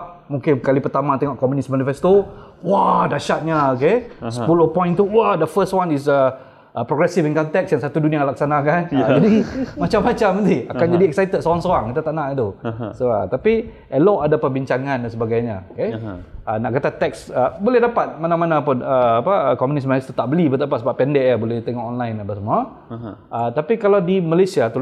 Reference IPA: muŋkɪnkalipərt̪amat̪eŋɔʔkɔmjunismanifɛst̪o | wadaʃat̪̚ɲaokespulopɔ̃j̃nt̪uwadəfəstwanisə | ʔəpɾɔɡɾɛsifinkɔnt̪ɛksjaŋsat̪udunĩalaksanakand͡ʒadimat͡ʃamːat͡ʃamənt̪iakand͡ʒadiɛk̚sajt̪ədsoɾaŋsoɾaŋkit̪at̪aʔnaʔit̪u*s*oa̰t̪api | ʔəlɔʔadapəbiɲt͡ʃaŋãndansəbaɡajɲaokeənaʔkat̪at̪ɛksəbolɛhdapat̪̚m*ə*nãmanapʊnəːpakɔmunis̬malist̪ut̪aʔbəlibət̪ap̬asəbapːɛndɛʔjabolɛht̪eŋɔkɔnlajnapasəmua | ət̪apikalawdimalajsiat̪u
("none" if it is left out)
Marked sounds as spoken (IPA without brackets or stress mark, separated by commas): s, a